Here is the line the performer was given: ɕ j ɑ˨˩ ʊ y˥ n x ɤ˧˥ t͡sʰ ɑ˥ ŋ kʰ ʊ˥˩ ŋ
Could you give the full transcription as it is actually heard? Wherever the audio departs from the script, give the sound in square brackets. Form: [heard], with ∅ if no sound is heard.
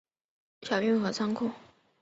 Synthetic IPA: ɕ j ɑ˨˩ ʊ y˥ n x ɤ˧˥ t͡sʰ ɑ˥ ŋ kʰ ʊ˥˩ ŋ